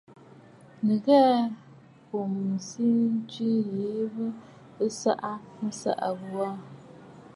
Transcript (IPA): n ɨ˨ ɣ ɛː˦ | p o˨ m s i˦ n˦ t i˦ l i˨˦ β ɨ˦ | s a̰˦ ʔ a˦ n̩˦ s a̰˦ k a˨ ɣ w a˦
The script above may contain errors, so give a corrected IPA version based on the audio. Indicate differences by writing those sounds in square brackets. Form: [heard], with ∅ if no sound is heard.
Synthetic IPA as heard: n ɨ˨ ɣ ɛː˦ | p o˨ m s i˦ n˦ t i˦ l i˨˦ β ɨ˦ | s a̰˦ ʔ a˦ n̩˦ s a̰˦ [ʔ] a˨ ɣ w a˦